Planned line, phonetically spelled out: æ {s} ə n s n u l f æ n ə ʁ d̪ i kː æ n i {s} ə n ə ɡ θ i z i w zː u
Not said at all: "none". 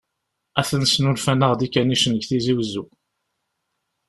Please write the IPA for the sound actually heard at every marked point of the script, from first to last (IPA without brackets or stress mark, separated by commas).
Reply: θ, ʃ